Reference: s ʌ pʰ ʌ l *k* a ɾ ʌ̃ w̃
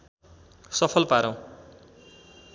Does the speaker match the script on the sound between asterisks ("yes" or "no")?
no